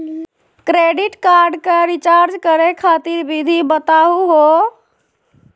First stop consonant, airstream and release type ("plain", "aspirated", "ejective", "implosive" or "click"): plain